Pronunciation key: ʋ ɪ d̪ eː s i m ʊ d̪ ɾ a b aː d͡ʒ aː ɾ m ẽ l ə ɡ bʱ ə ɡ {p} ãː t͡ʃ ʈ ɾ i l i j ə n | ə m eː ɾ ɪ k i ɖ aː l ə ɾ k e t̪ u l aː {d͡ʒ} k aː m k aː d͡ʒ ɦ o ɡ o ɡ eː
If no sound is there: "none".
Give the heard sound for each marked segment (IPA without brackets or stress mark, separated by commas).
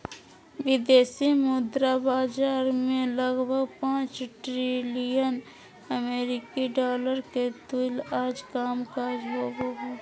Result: p, d͡ʒ